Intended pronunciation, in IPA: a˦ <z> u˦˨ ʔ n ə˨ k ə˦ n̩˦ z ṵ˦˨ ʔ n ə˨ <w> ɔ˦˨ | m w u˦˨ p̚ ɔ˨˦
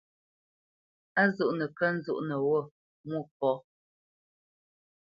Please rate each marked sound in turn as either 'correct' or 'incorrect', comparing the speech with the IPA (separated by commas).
correct, correct